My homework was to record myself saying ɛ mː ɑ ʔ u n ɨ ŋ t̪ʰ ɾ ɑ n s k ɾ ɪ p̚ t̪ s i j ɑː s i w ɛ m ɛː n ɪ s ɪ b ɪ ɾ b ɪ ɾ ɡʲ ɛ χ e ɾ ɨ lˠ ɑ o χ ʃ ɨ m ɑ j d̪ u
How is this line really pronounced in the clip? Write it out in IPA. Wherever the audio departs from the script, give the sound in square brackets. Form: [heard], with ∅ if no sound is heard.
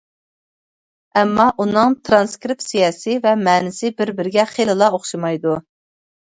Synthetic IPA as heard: ɛ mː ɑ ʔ u n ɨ ŋ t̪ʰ ɾ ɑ n s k ɾ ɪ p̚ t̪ s i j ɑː s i [v] ɛ m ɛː n ɪ s ɪ b ɪ ɾ b ɪ ɾ ɡʲ ɛ χ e [l] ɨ lˠ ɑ o χ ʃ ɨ m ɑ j d̪ u